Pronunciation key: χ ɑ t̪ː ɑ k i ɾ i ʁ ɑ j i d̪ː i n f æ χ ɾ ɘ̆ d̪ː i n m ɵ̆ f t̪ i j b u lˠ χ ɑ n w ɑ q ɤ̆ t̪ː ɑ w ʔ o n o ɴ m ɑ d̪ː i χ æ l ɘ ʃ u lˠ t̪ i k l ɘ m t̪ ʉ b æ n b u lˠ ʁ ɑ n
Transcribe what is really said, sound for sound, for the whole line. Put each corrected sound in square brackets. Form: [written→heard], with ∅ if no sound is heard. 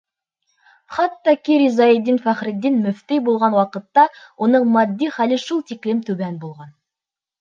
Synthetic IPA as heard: χ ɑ t̪ː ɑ k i ɾ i [ʁ→z] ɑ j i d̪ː i n f æ χ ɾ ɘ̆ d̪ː i n m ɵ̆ f t̪ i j b u lˠ [χ→ʁ] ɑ n w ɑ q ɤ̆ t̪ː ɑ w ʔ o n [o→ɤ] ɴ m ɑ d̪ː i χ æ l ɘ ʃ u lˠ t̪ i k l ɘ m t̪ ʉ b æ n b u lˠ ʁ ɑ n